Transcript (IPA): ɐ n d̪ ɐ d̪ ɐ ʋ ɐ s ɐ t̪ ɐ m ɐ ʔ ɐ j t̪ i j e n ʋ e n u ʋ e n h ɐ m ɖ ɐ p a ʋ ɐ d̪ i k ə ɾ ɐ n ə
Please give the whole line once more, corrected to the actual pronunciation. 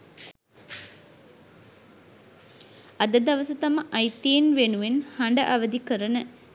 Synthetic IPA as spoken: ɐ d̪ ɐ d̪ ɐ ʋ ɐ s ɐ t̪ ɐ m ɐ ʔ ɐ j t̪ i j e n ʋ e n u ʋ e n h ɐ ɳ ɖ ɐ ʔ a ʋ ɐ d̪ i k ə ɾ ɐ n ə